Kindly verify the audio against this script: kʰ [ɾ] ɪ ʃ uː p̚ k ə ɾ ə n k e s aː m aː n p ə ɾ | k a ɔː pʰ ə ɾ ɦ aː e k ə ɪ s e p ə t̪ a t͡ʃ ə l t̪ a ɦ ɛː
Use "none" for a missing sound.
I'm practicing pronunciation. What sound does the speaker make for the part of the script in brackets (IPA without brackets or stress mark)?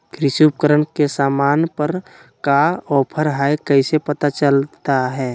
ɾ